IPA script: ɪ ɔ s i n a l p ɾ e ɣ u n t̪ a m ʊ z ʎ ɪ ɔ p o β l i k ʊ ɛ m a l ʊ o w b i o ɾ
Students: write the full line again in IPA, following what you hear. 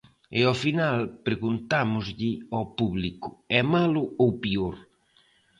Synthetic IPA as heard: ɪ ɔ f i n a l p ɾ e ɣ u n t̪ a m ʊ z ʎ ɪ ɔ p u β l i k ʊ ɛ m a l ʊ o w p i o ɾ